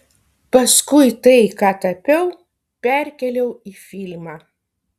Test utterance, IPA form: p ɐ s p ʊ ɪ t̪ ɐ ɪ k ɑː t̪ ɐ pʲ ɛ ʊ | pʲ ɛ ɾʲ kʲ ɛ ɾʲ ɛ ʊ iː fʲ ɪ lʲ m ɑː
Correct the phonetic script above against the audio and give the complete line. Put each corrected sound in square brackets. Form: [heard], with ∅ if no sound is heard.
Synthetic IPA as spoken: p ɐ s [k] ʊ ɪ t̪ ɐ ɪ k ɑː t̪ ɐ pʲ ɛ ʊ | pʲ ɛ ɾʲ kʲ ɛ [lʲ] ɛ ʊ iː fʲ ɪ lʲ m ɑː

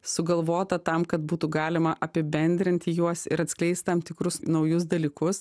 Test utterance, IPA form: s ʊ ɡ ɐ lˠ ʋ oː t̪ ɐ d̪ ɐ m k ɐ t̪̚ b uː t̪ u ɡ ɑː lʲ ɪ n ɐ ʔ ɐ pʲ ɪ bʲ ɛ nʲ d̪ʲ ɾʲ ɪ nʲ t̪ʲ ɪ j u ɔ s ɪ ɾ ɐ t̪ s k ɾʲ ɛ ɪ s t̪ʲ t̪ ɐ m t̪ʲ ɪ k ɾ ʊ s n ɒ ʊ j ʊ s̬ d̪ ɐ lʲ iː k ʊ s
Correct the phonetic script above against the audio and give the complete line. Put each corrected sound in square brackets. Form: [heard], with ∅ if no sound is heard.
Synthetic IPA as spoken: s ʊ ɡ ɐ lˠ ʋ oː t̪ ɐ [t̪] ɐ m k ɐ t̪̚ b uː t̪ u ɡ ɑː lʲ ɪ [m] ɐ ʔ ɐ pʲ ɪ bʲ ɛ nʲ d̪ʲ ɾʲ ɪ nʲ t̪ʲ ɪ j u ɔ s ɪ ɾ ɐ t̪ s k [lʲ] ɛ ɪ s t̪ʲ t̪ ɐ m t̪ʲ ɪ k ɾ ʊ s n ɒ ʊ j ʊ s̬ d̪ ɐ lʲ iː k ʊ s

